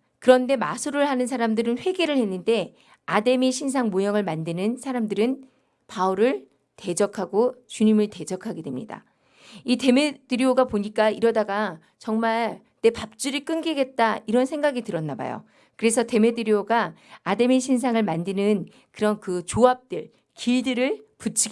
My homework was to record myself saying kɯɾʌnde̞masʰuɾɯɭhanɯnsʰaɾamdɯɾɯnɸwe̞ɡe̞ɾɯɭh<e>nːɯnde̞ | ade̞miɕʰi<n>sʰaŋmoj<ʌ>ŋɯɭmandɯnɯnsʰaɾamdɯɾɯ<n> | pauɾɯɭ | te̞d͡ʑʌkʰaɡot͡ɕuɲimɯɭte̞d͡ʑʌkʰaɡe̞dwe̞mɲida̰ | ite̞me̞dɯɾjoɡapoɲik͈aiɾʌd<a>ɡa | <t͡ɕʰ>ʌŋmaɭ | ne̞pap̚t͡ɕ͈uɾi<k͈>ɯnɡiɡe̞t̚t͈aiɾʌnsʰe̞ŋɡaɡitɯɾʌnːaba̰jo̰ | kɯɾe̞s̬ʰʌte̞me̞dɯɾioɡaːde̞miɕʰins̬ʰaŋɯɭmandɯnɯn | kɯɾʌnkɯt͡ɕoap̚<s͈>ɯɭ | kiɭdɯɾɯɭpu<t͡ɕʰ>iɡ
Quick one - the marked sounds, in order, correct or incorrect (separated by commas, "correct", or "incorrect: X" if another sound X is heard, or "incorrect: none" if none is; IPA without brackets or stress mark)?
correct, correct, correct, correct, correct, incorrect: t͡ɕ, correct, incorrect: t͈, correct